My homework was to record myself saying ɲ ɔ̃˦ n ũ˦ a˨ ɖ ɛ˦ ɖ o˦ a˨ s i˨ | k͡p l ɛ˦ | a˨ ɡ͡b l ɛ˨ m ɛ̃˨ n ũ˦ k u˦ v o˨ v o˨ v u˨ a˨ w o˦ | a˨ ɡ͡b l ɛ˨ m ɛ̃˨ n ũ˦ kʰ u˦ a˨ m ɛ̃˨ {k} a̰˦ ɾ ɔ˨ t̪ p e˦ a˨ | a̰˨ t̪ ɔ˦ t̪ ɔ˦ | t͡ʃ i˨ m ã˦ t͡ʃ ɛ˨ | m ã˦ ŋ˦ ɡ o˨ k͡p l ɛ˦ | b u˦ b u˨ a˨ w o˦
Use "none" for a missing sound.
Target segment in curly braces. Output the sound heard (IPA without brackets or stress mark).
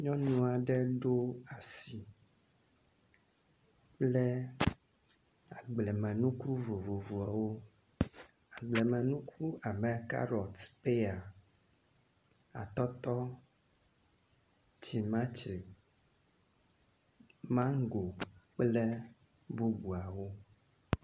k